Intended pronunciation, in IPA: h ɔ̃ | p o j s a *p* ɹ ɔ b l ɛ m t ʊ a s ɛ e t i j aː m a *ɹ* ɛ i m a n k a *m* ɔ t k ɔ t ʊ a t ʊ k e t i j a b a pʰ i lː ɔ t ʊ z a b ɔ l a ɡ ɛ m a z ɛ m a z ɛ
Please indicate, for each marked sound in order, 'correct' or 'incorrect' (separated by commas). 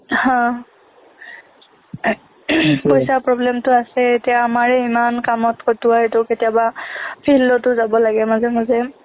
correct, correct, correct